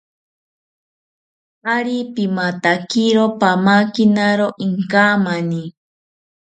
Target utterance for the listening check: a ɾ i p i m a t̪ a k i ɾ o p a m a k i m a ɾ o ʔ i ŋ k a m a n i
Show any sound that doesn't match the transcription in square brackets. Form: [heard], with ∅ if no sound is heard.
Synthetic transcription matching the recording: a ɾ i p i m a t̪ a k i ɾ o p a m a k i [n] a ɾ o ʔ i ŋ k a m a n i